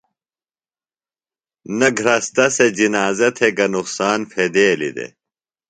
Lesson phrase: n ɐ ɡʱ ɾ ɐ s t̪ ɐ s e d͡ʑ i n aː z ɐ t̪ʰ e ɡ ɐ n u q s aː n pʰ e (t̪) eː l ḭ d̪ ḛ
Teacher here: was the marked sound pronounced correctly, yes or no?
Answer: no